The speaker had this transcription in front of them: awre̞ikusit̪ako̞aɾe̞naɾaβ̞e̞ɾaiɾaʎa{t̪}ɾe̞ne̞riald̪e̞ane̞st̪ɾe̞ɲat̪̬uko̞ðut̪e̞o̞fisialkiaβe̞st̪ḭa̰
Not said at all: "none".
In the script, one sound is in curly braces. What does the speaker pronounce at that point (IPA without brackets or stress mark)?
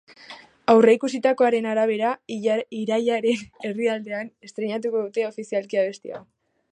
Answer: none